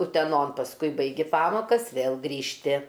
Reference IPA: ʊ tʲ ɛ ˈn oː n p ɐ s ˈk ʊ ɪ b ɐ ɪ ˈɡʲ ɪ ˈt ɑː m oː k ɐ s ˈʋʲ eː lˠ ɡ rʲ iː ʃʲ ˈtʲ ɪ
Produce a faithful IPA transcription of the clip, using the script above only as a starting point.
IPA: ʊ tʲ ɛ ˈn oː n p ɐ s ˈk ʊ ɪ b ɐ ɪ ˈɡʲ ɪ ˈp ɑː m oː k ɐ s ˈʋʲ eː lˠ ɡ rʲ iː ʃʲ ˈtʲ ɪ